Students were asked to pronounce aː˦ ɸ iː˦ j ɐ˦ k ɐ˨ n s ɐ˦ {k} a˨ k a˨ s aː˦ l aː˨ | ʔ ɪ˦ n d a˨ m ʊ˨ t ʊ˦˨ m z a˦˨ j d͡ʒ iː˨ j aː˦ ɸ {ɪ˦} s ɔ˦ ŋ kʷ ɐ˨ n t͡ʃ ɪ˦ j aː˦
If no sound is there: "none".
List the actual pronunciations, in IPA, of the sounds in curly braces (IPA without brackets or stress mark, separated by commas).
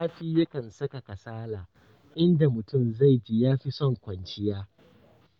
k, i˦